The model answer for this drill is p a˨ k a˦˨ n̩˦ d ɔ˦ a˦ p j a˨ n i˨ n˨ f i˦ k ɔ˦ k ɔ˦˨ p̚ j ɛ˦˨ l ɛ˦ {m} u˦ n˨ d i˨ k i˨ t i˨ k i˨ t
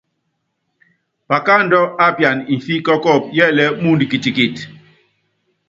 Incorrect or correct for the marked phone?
correct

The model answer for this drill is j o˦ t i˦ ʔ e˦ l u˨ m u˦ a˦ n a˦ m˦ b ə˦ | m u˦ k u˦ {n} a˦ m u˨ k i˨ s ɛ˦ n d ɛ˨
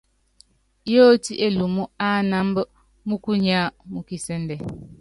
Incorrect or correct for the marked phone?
incorrect: ɲ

